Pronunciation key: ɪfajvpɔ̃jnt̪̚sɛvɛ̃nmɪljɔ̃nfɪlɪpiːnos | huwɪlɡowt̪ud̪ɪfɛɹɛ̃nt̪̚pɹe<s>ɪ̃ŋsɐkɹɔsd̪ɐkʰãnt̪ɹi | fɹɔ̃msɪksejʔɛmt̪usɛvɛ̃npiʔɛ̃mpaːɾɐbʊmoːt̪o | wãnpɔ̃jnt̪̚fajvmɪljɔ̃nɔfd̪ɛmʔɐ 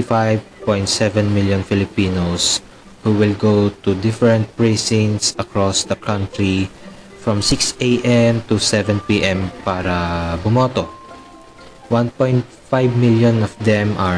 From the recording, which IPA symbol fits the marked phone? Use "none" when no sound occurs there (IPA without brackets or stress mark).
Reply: s